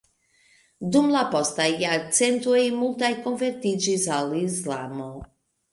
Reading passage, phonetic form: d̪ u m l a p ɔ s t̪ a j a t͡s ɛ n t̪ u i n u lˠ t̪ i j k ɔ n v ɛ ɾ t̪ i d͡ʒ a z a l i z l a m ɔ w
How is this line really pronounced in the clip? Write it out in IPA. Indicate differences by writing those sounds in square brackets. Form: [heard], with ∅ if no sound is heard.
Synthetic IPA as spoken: d̪ u m l a p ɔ s t̪ a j a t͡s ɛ n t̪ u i [m] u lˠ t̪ [a] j k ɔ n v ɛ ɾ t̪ i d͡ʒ [i] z a l i z l a m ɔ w